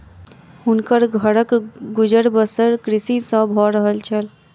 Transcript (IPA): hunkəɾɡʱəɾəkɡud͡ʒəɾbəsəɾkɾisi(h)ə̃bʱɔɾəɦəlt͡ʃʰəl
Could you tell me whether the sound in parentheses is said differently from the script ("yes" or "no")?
yes